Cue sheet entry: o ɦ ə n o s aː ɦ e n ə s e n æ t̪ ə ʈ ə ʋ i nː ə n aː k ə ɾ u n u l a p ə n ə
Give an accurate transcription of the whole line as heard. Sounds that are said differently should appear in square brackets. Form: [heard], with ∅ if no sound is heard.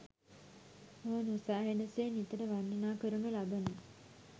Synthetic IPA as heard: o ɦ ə n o s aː ɦ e n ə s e n [i] t̪ ə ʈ ə ʋ [a] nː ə n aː k ə ɾ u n u l a [b] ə n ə